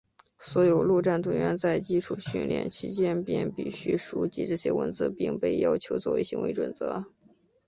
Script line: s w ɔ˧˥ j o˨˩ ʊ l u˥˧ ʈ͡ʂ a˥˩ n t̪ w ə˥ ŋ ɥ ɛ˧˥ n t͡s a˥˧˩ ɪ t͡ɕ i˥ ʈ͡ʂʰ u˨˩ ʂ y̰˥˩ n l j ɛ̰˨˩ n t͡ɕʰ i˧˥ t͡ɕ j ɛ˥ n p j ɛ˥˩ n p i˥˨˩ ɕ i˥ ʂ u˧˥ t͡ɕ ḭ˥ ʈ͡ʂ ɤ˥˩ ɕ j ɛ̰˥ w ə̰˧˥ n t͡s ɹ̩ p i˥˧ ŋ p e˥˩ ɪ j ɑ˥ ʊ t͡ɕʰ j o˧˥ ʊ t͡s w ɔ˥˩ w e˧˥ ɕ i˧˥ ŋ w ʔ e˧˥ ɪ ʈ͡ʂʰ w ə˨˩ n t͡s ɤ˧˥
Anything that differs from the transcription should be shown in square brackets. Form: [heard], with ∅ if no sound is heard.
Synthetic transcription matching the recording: s w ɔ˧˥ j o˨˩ ʊ l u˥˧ ʈ͡ʂ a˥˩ n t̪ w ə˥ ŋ ɥ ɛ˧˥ n t͡s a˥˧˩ ɪ t͡ɕ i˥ ʈ͡ʂʰ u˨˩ [ɕ] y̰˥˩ n l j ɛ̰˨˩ n t͡ɕʰ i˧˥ t͡ɕ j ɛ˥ n p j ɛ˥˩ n p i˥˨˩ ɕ [y˥] ʂ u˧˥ t͡ɕ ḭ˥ ʈ͡ʂ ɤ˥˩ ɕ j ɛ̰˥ w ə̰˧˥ n t͡s ɹ̩ p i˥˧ ŋ p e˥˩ ɪ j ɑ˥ ʊ t͡ɕʰ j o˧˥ ʊ t͡s w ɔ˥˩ w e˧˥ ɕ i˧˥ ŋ w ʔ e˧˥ ɪ [ʈ͡ʂ] w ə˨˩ n t͡s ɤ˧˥

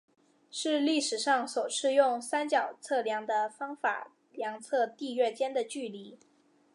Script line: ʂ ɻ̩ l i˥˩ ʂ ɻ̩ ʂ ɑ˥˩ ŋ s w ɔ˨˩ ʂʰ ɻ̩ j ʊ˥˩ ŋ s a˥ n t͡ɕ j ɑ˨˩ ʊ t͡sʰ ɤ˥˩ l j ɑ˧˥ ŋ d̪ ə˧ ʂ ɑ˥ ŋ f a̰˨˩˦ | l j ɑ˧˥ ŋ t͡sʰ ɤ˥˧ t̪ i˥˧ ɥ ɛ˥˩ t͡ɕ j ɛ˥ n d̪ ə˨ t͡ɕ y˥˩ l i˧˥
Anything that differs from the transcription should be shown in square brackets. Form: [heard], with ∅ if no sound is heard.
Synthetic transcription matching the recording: ʂ ɻ̩ l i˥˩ ʂ ɻ̩ ʂ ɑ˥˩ ŋ s w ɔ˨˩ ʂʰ ɻ̩ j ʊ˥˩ ŋ s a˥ n t͡ɕ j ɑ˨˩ ʊ t͡sʰ ɤ˥˩ l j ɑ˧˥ ŋ d̪ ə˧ [f] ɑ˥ ŋ f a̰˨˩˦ | l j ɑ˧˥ ŋ t͡sʰ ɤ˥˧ t̪ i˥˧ ɥ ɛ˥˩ t͡ɕ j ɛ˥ n d̪ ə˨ t͡ɕ y˥˩ l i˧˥

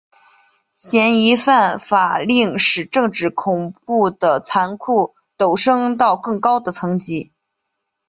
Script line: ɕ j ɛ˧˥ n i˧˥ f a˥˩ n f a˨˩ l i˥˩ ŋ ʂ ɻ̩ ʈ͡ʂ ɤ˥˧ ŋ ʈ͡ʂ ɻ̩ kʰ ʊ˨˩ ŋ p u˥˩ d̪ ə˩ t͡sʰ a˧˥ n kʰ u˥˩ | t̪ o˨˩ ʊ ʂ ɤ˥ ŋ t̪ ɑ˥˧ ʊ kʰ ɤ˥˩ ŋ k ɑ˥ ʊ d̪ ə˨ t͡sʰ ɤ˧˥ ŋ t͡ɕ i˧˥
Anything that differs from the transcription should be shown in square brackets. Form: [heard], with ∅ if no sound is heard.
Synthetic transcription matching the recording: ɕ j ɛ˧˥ n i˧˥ f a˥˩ n f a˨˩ l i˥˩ ŋ ʂ ɻ̩ ʈ͡ʂ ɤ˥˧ ŋ ʈ͡ʂ ɻ̩ kʰ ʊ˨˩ ŋ p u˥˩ d̪ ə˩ t͡sʰ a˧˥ n kʰ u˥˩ | t̪ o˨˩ ʊ ʂ ɤ˥ ŋ t̪ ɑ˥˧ ʊ [k] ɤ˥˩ ŋ k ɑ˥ ʊ d̪ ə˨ t͡sʰ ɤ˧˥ ŋ t͡ɕ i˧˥

